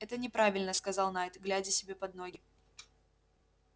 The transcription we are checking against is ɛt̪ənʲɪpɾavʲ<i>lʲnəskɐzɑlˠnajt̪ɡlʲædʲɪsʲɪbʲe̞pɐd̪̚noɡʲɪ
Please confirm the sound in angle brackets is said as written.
no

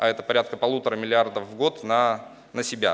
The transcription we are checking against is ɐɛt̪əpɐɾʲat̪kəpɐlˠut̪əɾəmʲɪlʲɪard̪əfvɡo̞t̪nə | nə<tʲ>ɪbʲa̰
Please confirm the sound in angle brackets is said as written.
no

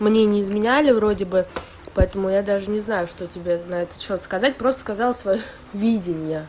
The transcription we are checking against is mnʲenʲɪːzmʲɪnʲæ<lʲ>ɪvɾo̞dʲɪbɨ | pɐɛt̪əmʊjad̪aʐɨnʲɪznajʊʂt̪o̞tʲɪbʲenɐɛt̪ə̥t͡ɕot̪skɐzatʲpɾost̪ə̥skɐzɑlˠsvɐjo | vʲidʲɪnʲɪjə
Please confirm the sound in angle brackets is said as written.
yes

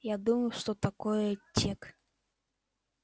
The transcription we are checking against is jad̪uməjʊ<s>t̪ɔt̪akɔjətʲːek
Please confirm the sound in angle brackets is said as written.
no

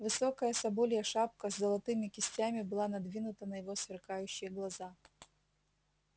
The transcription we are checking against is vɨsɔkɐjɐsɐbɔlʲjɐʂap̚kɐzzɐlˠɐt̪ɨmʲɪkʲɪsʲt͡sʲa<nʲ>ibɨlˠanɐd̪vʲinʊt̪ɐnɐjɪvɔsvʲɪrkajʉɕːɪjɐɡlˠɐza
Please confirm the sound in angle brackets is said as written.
no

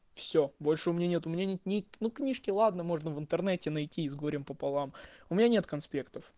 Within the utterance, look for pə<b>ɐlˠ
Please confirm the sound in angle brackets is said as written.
no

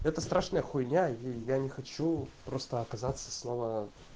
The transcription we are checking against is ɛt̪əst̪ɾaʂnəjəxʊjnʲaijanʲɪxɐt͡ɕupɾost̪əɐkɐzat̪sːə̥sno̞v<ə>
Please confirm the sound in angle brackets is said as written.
yes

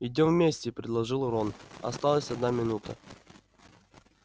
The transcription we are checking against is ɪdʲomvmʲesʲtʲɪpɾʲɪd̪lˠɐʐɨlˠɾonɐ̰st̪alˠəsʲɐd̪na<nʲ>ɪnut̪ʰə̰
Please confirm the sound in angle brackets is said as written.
no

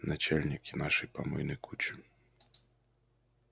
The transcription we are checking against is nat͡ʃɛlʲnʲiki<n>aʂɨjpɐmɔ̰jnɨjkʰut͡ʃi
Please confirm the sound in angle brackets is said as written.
yes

